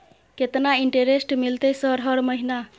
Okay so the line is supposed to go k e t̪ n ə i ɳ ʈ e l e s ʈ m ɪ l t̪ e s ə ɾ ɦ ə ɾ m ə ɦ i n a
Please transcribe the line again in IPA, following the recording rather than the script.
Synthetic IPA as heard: k e t̪ n a i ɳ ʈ e ɾ e s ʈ m i l t̪ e s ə ɾ ɦ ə ɾ m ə ɦ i n a